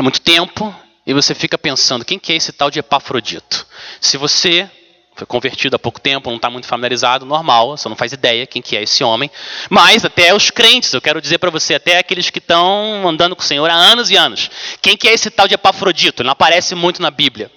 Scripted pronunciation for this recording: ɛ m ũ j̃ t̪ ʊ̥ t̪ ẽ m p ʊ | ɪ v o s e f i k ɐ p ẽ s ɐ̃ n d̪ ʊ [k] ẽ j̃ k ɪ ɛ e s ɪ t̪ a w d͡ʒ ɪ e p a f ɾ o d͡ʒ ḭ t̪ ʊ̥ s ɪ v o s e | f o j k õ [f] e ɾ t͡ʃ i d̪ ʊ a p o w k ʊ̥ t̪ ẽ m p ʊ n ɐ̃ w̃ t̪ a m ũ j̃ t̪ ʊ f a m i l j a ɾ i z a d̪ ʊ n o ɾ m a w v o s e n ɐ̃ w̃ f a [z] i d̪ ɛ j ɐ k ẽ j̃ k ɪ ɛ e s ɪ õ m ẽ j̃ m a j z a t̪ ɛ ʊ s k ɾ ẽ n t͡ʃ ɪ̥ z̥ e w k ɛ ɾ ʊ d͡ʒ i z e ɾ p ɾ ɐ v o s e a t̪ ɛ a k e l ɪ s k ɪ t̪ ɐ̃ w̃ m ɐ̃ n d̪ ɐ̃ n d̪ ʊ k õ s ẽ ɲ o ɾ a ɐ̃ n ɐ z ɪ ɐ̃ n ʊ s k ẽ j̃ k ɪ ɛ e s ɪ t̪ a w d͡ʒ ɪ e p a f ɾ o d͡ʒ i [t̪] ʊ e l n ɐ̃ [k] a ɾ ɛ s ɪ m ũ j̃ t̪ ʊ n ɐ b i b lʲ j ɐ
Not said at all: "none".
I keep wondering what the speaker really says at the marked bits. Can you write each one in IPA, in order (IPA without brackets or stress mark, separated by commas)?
k, v, z, t̪, p